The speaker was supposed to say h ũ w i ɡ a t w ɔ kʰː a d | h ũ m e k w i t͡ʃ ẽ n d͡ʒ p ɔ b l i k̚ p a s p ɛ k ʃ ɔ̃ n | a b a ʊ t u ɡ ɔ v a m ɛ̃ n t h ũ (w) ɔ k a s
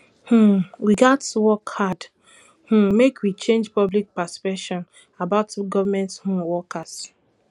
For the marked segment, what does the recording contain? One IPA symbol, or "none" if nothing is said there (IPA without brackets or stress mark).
w